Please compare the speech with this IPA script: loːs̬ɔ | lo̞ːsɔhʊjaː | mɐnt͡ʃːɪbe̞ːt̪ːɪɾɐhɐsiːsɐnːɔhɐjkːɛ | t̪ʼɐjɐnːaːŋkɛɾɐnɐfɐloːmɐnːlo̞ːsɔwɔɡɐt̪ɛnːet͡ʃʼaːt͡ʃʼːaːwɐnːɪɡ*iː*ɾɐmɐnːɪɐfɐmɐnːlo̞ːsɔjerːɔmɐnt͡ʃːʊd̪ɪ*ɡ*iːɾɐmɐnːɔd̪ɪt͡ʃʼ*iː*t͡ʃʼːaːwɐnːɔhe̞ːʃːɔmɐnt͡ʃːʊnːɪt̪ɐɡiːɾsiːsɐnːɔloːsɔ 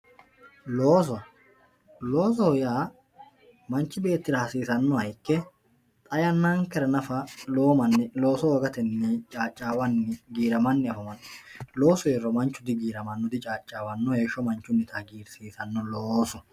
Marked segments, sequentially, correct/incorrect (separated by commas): correct, correct, incorrect